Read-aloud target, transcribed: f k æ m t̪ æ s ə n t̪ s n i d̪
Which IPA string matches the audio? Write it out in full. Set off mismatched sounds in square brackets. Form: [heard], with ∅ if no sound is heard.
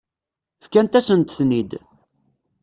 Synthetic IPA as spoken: f k æ [n] t̪ æ s ə n t̪ [θ] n i d̪